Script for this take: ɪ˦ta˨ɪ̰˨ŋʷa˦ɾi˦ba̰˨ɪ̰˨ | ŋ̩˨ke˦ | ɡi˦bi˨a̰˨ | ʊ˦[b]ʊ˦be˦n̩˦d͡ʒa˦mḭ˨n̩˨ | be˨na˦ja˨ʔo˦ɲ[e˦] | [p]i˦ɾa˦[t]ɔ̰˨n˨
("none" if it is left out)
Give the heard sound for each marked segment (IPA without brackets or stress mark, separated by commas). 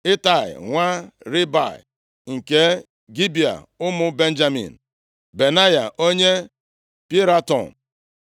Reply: m, e˦, p, t